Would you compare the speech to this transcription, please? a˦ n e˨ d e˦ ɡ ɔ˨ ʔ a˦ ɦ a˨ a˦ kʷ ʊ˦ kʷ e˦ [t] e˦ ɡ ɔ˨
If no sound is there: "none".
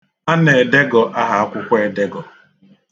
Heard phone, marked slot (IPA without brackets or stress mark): d